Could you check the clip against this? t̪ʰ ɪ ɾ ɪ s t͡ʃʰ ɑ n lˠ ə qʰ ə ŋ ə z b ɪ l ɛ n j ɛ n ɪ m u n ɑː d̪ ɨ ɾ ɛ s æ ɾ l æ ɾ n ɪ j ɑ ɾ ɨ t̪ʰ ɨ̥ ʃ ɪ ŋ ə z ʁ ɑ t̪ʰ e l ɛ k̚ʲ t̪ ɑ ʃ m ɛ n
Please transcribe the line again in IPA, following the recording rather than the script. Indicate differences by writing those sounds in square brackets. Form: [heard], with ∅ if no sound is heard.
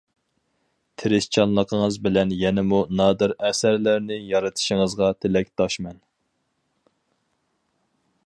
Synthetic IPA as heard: t̪ʰ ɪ ɾ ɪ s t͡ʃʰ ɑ n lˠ ə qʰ ə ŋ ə z b ɪ l ɛ n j ɛ n ɪ m u n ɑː d̪ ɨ ɾ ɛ s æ ɾ l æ ɾ n ɪ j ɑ ɾ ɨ t̪ʰ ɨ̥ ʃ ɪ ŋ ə z ʁ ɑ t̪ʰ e l ɛ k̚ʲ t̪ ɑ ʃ m ɛ n